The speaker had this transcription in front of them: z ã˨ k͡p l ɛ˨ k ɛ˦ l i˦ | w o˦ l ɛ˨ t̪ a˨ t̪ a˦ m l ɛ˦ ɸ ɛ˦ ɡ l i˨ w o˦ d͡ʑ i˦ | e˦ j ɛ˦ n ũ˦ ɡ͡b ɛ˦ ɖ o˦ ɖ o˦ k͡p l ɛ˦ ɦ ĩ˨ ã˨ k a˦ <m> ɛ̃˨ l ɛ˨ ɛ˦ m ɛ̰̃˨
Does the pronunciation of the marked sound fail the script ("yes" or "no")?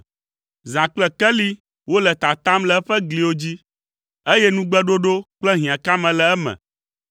no